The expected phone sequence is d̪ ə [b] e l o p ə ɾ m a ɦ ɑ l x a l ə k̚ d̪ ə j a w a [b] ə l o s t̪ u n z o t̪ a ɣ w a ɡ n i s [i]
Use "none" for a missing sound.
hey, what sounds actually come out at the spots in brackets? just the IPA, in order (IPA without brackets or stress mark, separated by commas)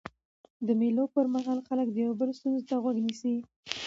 m, b, i